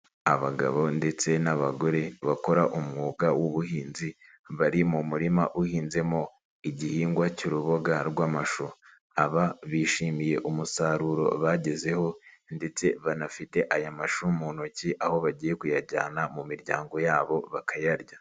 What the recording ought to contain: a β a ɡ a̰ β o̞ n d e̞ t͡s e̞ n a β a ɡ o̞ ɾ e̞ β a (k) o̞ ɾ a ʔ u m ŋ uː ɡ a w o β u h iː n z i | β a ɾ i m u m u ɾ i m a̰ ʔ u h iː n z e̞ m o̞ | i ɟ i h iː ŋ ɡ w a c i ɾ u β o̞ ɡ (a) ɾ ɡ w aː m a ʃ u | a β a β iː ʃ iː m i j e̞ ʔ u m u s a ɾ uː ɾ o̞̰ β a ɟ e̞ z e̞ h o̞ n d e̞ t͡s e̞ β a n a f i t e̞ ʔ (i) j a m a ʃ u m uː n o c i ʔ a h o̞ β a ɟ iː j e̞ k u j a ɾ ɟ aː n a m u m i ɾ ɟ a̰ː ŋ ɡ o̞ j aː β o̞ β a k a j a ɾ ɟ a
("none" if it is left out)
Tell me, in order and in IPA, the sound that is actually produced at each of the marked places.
k, a, a

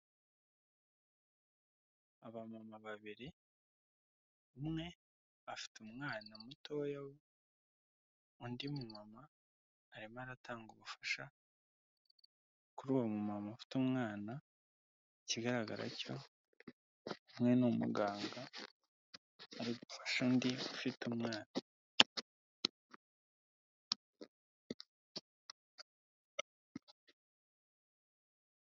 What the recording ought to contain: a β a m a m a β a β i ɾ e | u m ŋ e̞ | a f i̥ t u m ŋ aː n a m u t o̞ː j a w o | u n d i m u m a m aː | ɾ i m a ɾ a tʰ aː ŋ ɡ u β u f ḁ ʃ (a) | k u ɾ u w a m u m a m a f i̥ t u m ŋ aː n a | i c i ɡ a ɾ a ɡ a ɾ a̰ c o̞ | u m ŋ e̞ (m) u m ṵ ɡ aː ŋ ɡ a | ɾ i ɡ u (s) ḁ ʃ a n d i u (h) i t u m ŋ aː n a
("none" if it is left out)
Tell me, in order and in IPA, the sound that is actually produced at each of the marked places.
a, n, f, f

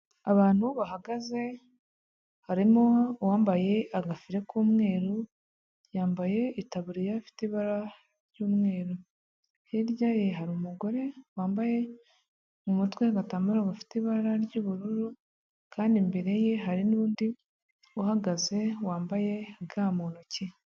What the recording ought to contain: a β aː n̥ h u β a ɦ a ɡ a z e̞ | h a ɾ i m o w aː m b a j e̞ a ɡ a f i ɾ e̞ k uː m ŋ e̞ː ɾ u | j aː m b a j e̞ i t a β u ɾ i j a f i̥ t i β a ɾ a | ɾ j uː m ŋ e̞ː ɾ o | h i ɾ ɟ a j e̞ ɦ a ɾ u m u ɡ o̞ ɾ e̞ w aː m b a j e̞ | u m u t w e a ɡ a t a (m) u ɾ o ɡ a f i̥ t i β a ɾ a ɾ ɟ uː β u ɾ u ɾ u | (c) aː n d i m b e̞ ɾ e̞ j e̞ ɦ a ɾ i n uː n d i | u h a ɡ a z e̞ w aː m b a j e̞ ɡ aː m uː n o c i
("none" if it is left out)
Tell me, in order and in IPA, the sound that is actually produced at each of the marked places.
m, k

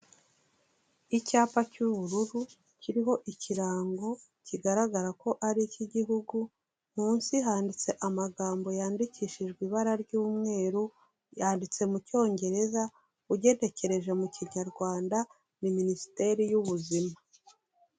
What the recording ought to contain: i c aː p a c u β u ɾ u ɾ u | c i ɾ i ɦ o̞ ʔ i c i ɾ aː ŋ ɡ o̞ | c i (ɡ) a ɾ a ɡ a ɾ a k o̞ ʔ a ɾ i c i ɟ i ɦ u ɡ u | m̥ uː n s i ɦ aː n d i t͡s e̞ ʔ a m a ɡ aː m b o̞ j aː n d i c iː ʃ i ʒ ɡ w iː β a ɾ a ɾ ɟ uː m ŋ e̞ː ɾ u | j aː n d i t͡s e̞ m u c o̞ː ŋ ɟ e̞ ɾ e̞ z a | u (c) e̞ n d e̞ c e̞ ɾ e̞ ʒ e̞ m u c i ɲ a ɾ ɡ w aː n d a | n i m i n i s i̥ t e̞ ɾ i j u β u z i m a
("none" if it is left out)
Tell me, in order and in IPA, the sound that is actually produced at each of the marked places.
ɡ, ɟ

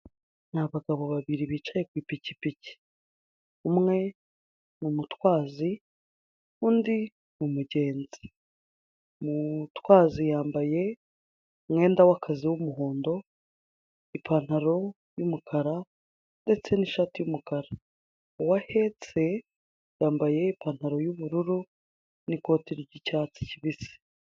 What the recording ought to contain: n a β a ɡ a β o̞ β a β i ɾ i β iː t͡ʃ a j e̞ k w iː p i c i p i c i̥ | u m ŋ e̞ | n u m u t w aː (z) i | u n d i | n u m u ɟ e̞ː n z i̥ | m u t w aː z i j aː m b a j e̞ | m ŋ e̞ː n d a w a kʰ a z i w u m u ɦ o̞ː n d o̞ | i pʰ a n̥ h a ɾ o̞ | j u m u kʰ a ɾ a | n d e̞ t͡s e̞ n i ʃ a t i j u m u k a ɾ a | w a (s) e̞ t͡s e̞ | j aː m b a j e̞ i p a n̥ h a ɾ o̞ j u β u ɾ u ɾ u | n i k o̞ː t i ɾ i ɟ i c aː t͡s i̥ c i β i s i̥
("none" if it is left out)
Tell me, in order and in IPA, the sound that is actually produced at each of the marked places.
z, h

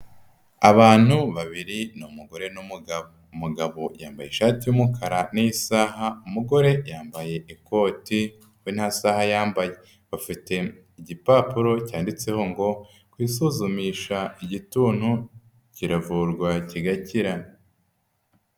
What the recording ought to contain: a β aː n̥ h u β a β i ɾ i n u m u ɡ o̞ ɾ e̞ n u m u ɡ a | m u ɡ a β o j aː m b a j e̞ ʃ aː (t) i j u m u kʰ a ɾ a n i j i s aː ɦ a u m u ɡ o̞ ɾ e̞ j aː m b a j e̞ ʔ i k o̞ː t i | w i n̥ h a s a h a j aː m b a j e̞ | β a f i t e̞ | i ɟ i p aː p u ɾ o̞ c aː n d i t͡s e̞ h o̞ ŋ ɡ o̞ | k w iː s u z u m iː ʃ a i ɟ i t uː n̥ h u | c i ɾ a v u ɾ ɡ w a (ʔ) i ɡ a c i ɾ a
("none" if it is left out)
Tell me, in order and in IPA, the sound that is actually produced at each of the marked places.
t, c

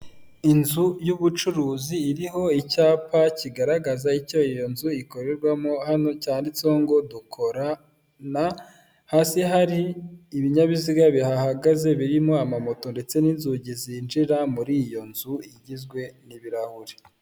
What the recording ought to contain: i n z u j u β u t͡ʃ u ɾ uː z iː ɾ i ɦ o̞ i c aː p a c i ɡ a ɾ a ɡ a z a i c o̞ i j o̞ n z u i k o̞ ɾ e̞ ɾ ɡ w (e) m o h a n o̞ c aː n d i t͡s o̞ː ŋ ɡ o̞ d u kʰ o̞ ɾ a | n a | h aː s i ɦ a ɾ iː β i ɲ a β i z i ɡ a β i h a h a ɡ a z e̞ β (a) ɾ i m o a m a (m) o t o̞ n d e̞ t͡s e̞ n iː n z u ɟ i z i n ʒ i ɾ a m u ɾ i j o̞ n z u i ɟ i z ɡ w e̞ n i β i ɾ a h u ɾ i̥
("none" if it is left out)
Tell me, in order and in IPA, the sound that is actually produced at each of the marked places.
a, i, m

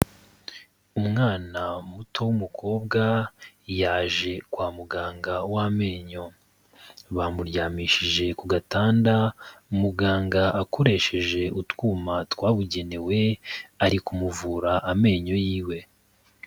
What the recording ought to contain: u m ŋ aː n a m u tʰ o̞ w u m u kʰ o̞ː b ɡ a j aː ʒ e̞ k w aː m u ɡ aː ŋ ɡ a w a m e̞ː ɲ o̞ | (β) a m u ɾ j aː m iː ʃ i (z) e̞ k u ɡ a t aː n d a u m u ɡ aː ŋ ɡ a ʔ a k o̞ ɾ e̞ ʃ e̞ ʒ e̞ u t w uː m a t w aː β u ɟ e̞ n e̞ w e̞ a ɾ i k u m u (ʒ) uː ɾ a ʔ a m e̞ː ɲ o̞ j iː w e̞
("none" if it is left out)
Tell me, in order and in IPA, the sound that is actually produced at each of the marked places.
β, ʒ, v

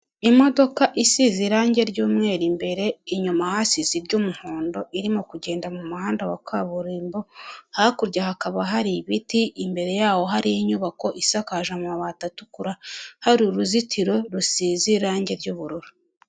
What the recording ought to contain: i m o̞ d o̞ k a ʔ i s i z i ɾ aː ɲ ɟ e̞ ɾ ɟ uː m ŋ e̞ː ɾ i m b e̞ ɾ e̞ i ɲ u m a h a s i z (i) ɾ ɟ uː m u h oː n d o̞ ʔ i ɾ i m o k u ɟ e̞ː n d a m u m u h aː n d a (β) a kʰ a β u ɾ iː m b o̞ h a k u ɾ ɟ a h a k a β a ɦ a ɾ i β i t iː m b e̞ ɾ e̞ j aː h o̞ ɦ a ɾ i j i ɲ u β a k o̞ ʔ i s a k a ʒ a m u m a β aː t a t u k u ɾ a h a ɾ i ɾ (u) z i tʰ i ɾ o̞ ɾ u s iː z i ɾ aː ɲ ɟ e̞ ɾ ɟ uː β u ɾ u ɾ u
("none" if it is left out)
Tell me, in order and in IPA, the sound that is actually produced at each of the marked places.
i, w, u

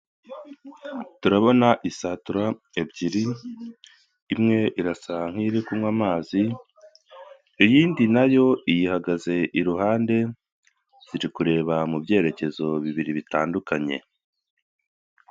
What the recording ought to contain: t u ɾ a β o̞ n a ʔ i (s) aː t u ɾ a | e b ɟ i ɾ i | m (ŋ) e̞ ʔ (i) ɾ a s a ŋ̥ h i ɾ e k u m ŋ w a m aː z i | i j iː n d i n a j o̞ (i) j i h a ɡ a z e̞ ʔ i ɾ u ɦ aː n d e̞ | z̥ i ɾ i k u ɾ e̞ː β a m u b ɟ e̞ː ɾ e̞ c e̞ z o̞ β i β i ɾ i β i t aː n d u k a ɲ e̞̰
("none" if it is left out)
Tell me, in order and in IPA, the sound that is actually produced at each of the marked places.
s, ŋ, i, i

